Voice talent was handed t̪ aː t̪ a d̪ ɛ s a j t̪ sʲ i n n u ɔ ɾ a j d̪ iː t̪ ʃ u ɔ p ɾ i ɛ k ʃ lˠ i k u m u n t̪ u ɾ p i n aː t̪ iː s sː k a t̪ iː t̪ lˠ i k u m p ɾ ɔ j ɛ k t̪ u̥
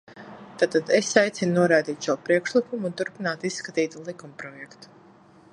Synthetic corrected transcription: t̪ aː t̪ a d̪ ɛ s a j t̪ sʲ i n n u ɔ ɾ a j d̪ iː t̪ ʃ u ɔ p ɾ i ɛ k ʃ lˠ i k u m u n t̪ u ɾ p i n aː t̪ i s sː k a t̪ iː t̪ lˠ i k u m p ɾ ɔ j ɛ k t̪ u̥